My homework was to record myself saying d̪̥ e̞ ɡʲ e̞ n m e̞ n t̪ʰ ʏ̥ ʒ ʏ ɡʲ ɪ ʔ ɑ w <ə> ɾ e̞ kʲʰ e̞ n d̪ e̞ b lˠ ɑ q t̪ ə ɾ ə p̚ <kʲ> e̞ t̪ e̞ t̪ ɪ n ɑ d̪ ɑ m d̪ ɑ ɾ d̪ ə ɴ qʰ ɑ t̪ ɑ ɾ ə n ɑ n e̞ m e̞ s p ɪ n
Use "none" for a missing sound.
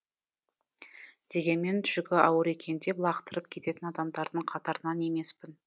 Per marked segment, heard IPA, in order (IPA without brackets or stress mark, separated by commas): ə, kʲʰ